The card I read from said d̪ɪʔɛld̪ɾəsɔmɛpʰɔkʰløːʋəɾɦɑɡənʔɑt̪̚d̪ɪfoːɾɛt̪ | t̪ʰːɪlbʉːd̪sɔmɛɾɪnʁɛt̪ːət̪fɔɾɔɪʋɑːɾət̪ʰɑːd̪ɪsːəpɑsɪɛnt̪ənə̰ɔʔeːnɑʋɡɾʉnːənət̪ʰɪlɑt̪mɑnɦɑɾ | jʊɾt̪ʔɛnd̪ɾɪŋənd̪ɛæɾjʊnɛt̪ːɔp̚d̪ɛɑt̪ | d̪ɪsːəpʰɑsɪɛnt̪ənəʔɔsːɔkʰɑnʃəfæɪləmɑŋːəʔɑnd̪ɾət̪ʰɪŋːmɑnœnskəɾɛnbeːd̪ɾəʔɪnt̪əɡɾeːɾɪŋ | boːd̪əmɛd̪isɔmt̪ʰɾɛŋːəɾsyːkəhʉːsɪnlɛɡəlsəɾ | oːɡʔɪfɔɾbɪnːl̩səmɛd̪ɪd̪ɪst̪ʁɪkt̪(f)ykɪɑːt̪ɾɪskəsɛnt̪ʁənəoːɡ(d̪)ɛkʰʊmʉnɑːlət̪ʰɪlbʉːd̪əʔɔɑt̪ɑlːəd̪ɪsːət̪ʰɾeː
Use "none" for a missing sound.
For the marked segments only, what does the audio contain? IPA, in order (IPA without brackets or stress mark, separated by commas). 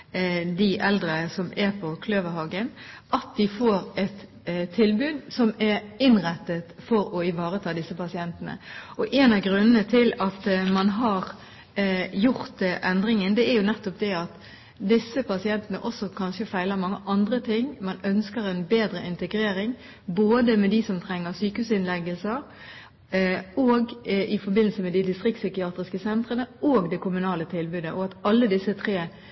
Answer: s, d̪